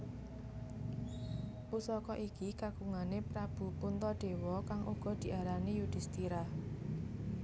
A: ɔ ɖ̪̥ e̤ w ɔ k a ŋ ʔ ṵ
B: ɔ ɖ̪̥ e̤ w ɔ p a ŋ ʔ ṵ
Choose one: A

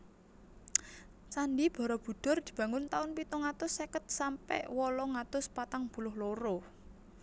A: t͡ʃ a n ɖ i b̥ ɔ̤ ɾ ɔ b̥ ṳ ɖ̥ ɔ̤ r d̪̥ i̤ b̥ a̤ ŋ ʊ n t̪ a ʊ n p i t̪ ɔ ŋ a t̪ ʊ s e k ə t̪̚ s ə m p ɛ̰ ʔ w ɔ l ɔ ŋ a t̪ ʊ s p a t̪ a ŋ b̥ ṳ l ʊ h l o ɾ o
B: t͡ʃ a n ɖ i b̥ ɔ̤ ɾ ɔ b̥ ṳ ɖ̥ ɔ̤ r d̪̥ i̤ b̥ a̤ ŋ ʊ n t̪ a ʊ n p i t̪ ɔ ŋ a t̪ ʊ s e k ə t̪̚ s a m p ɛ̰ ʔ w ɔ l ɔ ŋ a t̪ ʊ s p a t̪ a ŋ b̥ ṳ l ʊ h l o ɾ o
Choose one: B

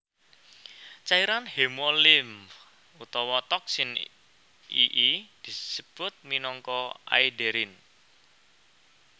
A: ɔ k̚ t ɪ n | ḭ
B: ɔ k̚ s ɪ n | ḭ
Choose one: B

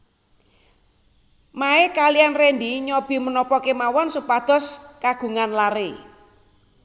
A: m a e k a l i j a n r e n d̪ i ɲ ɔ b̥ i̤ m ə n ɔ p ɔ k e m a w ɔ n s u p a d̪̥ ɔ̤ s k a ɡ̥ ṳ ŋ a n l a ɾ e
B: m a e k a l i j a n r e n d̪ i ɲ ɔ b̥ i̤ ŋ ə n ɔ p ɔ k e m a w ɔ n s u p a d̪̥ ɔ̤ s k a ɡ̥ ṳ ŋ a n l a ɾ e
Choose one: A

